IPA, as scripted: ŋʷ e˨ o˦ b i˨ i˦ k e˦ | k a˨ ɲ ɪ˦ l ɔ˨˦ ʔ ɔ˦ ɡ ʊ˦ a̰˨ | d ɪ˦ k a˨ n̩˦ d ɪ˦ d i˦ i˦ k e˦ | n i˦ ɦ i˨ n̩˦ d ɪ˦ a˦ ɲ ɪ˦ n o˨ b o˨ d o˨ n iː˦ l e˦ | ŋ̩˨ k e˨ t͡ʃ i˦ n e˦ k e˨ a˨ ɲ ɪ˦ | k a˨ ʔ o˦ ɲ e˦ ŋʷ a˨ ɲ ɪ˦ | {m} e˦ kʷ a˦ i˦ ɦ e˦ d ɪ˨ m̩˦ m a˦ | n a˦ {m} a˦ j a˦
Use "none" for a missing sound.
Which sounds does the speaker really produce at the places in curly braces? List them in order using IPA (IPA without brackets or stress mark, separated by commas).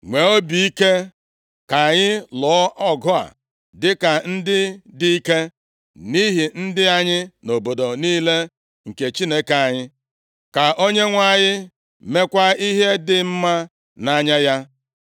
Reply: m, ɲ